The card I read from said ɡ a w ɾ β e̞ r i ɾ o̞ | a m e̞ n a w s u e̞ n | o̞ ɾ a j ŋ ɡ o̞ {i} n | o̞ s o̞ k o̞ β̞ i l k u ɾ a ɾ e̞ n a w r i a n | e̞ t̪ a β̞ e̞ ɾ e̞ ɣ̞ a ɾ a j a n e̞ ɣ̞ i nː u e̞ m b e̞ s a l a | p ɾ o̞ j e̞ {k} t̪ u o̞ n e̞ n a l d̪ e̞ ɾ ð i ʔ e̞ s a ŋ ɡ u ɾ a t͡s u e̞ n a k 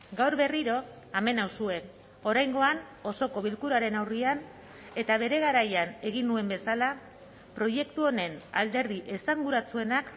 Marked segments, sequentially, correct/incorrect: incorrect: a, correct

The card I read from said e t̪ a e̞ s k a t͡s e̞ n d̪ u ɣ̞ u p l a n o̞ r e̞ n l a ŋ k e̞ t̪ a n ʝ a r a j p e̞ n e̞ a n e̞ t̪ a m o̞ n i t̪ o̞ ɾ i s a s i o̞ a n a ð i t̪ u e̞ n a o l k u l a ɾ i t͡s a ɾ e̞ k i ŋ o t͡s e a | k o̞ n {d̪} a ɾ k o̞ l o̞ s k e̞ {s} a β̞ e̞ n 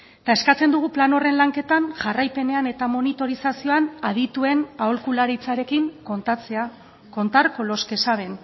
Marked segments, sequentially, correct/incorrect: incorrect: t̪, correct

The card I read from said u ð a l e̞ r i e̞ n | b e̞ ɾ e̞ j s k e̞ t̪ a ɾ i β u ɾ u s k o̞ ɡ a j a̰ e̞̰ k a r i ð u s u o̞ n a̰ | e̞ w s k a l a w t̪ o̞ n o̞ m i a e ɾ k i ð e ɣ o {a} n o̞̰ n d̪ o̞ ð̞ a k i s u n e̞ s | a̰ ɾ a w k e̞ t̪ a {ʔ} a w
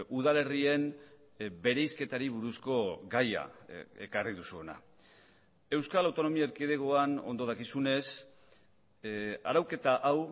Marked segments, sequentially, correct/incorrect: correct, correct

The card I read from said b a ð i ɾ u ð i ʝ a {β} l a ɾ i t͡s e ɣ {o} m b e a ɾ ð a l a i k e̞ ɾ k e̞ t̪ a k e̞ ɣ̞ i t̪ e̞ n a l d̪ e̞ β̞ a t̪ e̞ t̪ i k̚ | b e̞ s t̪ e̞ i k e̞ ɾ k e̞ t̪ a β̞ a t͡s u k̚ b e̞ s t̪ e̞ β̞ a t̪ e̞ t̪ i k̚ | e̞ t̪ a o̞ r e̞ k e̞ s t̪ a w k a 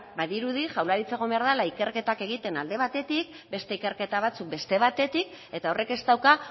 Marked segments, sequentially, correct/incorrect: incorrect: w, correct

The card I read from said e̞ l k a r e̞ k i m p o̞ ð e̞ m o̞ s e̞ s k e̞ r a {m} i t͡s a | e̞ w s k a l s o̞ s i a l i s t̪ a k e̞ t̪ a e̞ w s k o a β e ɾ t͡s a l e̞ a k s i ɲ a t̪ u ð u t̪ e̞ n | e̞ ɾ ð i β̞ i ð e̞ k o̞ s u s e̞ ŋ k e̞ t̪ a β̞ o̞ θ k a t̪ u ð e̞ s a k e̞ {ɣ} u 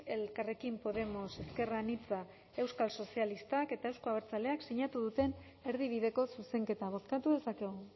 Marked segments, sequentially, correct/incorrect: incorrect: n, correct

